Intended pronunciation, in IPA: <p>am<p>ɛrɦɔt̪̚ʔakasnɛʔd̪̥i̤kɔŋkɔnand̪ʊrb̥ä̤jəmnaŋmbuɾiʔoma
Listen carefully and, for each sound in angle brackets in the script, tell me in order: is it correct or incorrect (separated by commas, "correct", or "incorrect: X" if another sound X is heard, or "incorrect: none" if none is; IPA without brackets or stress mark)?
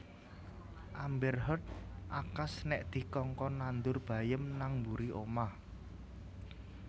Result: incorrect: ʔ, incorrect: b